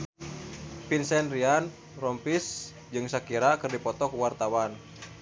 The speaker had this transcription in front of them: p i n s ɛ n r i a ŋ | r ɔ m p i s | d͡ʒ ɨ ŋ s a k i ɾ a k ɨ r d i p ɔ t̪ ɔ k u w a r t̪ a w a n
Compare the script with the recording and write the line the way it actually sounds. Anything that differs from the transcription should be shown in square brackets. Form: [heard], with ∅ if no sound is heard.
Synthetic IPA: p i n s ɛ n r i a [n] | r ɔ m p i s | d͡ʒ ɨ ŋ s a k i ɾ a k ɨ r d i p ɔ t̪ ɔ k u w a r t̪ a w a n